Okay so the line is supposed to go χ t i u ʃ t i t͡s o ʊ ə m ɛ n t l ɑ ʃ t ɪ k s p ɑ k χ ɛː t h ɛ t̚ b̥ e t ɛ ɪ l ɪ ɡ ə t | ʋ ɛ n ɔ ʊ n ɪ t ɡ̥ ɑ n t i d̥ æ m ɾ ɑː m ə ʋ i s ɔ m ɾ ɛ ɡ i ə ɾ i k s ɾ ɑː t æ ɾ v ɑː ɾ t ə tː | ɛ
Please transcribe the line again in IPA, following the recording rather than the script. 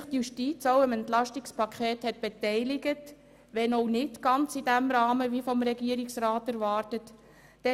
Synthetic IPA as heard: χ t j u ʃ t i t͡s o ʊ ə m ɛ n t l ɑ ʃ t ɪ k s p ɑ k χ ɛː t h ɛ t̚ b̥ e t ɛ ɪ l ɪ ɡ ə t | ʋ ɛ n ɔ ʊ n ɪ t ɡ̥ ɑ n t͡s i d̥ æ m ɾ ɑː m ə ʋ i f ɔ m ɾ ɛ ɡ i ə ɾ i k s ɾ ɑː t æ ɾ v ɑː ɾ t ə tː | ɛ